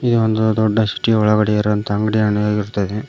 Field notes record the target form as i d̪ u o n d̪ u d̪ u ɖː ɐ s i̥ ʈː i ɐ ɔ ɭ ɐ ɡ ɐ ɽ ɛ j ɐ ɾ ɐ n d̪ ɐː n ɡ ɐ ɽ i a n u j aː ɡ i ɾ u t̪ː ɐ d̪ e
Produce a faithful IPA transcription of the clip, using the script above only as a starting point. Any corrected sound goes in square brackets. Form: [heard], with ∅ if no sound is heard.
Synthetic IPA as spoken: i d̪ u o n d̪ u d̪ [ɔ] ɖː ɐ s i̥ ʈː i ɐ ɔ ɭ ɐ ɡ ɐ ɽ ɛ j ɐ ɾ ɐ n [t̪] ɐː [ŋ] ɡ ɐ ɽ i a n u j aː ɡ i ɾ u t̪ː ɐ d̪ e

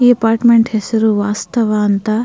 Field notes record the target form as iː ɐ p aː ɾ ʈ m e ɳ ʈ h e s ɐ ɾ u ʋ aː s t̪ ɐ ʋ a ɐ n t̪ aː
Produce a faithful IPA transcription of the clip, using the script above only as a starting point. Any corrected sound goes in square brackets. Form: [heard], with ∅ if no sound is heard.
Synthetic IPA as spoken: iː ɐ p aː ɾ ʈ m e ɳ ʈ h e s ɐ ɾ u ʋ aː s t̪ ɐ ʋ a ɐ n t̪ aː

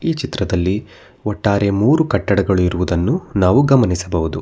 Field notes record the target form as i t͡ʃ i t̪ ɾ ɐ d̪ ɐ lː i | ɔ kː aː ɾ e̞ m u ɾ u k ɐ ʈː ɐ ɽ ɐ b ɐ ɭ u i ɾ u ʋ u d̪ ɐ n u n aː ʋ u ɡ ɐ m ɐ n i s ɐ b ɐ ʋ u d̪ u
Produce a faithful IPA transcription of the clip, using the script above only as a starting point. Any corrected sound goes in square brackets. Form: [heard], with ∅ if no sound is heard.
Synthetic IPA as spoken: [iː] t͡ʃ i t̪ ɾ ɐ d̪ ɐ lː i | ɔ [ʈː] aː ɾ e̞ m [uː] ɾ u k ɐ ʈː ɐ ɽ ɐ [ɡ] ɐ ɭ u i ɾ u ʋ u d̪ ɐ [nː] u n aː ʋ u ɡ ɐ m ɐ n i s ɐ b ɐ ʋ u d̪ u

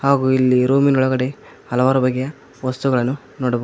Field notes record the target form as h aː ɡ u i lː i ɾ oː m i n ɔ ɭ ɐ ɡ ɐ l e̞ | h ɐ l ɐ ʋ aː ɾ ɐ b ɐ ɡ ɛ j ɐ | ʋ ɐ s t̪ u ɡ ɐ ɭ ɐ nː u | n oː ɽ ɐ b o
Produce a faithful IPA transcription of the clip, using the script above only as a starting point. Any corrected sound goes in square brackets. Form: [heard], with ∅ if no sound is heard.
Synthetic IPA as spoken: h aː ɡ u i lː i ɾ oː m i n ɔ ɭ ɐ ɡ ɐ [ɽ] e̞ | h ɐ l ɐ ʋ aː ɾ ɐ b ɐ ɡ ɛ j ɐ | ʋ ɐ s t̪ u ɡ ɐ ɭ ɐ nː u | n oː ɽ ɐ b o

